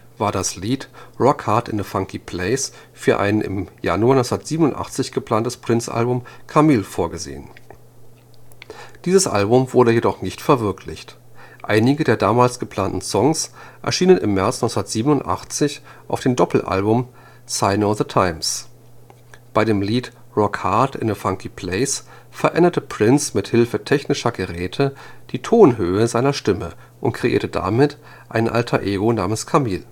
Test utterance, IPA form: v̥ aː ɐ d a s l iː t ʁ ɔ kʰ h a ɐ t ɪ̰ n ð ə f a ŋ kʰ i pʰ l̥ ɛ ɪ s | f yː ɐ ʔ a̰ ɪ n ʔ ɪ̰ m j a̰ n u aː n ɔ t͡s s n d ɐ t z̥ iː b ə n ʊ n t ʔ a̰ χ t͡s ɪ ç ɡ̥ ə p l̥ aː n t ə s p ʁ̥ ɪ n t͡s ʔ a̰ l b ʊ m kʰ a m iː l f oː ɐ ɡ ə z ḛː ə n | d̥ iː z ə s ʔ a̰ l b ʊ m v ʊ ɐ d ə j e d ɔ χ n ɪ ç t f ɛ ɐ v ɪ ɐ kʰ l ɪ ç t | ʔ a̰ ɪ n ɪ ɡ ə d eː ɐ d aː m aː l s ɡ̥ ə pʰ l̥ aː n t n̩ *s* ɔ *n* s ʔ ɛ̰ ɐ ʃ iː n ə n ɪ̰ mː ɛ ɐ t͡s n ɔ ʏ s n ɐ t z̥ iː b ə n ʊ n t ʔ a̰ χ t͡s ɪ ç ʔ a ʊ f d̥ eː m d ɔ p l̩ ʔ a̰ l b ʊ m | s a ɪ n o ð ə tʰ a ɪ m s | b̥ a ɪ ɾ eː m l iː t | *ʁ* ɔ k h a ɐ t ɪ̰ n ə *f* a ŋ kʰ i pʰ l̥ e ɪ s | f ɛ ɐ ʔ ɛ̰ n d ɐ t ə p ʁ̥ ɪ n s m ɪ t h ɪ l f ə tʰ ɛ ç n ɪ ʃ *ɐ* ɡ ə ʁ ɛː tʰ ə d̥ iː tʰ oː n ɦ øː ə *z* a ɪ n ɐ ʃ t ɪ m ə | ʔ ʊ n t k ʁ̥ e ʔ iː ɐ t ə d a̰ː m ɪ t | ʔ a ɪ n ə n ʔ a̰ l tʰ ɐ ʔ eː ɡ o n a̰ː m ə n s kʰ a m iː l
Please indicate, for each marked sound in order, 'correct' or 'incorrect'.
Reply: correct, incorrect: ŋ, correct, correct, correct, correct

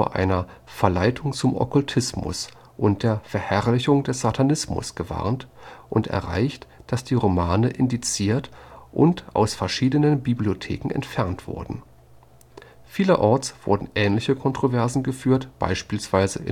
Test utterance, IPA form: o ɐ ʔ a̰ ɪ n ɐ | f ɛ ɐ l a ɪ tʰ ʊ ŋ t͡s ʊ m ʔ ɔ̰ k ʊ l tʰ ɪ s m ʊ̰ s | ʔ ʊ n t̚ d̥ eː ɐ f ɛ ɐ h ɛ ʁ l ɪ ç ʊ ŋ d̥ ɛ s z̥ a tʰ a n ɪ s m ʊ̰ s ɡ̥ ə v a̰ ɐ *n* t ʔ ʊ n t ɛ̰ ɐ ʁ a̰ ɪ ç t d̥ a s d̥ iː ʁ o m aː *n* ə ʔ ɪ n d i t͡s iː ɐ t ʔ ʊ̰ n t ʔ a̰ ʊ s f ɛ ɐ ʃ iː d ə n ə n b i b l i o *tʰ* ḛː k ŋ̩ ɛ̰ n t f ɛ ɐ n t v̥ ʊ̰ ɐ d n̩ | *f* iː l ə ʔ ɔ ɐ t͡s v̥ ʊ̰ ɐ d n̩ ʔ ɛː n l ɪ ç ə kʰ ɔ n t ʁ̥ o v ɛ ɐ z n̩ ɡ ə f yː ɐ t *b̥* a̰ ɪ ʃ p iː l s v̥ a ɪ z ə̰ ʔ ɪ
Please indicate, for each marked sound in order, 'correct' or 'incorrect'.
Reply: correct, correct, correct, correct, correct

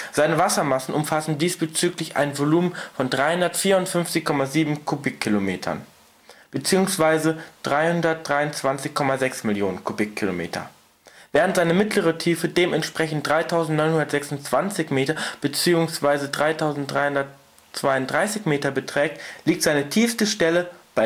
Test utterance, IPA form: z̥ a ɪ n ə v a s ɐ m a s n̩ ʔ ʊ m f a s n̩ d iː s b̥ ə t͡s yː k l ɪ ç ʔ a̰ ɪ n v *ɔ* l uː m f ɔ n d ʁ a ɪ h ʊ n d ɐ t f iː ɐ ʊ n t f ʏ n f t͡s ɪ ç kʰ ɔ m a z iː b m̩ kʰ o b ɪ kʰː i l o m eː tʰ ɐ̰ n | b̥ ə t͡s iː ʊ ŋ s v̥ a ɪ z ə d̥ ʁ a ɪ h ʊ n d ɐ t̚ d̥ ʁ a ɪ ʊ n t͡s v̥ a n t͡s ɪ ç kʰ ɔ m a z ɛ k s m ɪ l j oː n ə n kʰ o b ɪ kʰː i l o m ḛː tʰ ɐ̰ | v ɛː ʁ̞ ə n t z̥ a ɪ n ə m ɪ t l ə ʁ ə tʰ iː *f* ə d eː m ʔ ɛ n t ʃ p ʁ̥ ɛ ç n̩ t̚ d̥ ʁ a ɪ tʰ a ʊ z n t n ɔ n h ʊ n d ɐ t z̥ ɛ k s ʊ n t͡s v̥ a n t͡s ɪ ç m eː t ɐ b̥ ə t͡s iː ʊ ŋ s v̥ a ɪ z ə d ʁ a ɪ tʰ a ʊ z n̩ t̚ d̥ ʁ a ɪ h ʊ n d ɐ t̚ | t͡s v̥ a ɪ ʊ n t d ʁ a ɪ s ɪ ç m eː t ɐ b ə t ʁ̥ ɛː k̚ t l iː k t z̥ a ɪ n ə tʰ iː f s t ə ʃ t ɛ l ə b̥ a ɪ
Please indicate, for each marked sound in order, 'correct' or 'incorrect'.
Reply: incorrect: o, correct

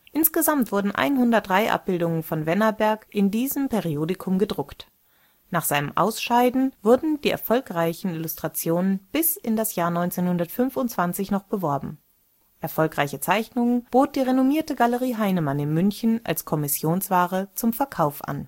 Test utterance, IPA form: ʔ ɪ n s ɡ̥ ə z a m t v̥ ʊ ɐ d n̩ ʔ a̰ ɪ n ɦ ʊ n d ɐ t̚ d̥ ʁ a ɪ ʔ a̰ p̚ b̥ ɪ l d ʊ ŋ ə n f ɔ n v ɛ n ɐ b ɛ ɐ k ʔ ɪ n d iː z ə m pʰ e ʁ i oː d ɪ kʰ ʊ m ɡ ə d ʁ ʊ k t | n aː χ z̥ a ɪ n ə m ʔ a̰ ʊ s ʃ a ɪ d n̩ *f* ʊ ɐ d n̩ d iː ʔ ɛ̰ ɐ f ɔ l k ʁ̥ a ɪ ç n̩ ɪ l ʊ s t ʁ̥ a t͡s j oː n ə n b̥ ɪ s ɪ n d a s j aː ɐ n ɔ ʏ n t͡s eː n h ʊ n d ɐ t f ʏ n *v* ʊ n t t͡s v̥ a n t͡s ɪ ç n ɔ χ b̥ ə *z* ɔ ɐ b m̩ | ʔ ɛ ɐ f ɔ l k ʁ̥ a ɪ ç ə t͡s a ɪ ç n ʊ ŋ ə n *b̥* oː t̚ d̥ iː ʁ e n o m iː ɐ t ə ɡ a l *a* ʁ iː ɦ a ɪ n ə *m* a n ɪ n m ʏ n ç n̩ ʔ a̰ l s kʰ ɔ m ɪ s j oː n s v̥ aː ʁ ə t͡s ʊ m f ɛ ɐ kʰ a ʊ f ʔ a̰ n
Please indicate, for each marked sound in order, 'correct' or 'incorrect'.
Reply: incorrect: v, incorrect: f, incorrect: v, correct, incorrect: ə, correct

